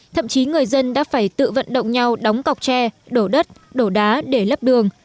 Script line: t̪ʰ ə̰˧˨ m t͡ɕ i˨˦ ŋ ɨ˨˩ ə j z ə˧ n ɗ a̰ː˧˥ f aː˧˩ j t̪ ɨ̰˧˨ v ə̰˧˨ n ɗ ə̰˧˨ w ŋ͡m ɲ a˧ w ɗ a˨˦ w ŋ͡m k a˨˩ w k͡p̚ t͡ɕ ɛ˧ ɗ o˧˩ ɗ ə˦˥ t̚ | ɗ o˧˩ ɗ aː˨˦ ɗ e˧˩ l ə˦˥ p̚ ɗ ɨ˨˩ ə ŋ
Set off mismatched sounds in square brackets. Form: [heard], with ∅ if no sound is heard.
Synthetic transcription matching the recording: t̪ʰ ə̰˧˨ m t͡ɕ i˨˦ ŋ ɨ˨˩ ə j z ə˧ n ɗ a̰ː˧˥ f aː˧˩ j t̪ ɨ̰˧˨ v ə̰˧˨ n ɗ ə̰˧˨ w ŋ͡m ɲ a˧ w ɗ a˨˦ w ŋ͡m k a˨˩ w k͡p̚ t͡ɕ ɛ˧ ɗ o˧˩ ɗ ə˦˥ t̚ | ɗ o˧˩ ɗ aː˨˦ ɗ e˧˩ l ə˦˥ p̚ ɗ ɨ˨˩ ə ŋ